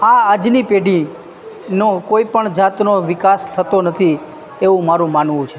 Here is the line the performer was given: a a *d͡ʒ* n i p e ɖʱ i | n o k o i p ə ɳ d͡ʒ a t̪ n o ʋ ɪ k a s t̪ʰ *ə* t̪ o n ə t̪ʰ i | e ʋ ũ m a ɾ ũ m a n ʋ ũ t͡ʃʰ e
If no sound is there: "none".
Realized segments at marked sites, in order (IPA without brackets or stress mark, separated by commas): d͡ʒ, ə